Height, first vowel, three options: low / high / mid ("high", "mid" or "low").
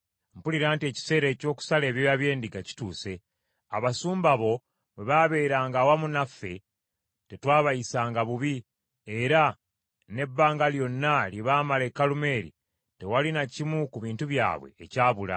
high